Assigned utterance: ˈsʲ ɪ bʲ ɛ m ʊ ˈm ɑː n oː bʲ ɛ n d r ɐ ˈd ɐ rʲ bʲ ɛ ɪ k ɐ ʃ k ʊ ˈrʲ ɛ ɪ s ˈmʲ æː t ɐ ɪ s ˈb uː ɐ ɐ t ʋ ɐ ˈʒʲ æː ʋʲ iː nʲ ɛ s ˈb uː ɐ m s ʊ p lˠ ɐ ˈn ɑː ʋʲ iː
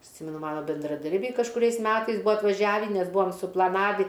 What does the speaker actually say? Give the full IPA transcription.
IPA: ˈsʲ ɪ mʲ ɛ n ʊ ˈm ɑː n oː bʲ ɛ n d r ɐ ˈd ɐ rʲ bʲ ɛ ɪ k ɐ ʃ k ʊ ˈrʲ ɛ ɪ s ˈmʲ æː t ɐ ɪ s ˈb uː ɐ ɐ t ʋ ɐ ˈʒʲ æː ʋʲ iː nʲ ɛ s ˈb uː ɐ m s ʊ p lˠ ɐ ˈn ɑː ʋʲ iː